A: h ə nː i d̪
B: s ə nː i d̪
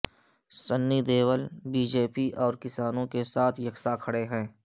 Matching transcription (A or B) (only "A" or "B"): B